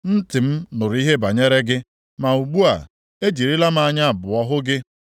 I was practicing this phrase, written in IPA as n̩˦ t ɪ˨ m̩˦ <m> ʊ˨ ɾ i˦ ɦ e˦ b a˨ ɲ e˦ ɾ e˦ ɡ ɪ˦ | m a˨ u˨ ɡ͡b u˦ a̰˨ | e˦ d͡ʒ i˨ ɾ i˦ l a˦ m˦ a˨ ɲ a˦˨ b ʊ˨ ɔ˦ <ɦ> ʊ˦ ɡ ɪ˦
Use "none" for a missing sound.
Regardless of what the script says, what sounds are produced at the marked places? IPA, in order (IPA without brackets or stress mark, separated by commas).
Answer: n, ɦ